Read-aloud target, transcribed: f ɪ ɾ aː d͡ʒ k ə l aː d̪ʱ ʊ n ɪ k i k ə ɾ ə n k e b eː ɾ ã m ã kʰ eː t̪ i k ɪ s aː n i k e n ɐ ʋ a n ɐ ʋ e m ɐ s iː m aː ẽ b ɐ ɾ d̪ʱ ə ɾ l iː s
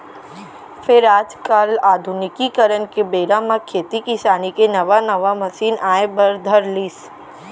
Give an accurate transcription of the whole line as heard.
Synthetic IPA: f ɪ ɾ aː d͡ʒ k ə l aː d̪ʱ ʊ n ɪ k i k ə ɾ ə n k e b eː ɾ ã m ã kʰ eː t̪ i k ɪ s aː n i k e n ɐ ʋ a n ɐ ʋ a m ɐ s iː n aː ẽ b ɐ ɾ d̪ʱ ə ɾ l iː s